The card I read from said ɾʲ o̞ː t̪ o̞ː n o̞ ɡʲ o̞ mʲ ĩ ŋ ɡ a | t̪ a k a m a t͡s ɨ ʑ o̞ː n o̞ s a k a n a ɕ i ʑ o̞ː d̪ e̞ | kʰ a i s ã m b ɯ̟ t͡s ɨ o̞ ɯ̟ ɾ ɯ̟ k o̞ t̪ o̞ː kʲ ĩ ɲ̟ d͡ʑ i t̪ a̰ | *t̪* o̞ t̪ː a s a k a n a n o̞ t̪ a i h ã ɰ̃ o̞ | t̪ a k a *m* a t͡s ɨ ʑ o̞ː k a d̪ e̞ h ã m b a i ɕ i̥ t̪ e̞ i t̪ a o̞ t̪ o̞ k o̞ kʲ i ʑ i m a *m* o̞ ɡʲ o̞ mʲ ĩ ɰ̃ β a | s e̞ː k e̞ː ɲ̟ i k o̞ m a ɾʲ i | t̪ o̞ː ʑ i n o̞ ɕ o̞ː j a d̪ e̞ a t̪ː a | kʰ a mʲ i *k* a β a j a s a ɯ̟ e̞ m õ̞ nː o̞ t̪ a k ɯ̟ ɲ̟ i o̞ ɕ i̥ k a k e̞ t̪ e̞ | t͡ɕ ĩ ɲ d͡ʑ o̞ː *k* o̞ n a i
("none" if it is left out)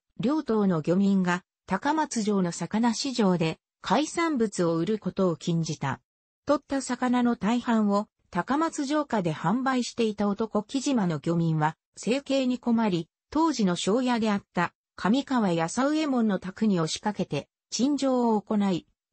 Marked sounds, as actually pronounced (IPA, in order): t̪, m, n, k, k

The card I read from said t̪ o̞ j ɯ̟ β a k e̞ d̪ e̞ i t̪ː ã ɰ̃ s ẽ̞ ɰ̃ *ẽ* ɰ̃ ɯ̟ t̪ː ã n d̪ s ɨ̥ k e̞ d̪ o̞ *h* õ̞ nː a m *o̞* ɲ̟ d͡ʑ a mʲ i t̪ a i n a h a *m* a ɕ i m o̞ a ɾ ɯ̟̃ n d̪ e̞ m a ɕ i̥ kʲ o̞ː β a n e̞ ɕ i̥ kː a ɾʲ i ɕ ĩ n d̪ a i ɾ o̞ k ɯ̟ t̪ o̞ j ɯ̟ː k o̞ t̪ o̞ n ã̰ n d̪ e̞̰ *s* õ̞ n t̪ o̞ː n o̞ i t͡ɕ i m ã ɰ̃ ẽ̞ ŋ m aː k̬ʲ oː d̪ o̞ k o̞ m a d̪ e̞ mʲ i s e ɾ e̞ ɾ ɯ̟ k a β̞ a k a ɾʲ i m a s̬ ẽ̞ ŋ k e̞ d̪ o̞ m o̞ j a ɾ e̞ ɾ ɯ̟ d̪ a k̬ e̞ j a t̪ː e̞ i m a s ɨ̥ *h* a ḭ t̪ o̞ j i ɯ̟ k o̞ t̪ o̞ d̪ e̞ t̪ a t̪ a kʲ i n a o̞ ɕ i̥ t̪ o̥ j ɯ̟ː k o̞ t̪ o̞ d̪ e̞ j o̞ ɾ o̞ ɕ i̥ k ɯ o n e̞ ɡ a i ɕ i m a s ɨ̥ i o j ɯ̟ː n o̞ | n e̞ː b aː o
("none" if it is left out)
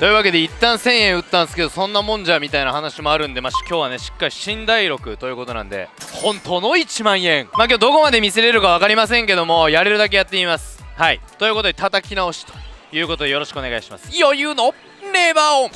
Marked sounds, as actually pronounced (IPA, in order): ẽ, s, õ̞, n, h, h

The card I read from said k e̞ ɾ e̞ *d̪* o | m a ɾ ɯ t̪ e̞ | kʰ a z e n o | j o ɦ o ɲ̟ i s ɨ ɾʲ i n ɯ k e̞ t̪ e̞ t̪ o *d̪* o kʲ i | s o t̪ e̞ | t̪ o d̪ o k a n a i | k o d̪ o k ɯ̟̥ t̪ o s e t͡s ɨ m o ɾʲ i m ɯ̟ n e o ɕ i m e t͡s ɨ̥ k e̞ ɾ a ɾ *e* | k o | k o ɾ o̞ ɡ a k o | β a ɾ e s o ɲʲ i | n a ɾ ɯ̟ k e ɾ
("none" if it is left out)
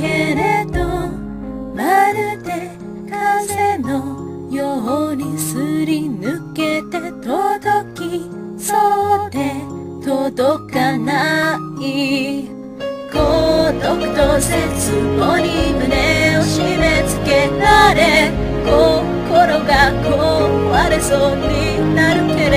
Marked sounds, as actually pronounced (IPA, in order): d̪, d̪, e

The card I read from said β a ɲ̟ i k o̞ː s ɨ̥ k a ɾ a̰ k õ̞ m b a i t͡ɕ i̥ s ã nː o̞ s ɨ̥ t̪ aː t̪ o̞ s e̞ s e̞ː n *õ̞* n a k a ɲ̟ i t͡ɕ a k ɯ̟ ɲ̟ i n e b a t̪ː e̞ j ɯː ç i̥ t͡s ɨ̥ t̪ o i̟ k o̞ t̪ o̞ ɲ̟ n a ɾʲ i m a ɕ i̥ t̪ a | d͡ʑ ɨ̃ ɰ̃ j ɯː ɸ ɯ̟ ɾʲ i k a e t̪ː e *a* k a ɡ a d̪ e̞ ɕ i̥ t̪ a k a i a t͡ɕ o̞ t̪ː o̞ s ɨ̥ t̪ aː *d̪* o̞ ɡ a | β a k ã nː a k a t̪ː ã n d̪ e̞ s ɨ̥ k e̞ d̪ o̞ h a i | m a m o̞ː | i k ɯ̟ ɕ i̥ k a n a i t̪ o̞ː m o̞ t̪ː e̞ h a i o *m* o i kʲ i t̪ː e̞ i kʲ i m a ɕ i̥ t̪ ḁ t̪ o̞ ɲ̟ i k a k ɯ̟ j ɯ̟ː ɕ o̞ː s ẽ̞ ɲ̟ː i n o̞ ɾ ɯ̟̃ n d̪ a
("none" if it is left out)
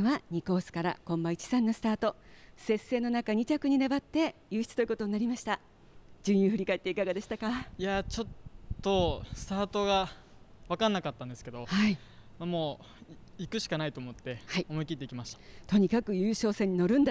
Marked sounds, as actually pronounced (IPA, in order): o̞, i, t̪, m

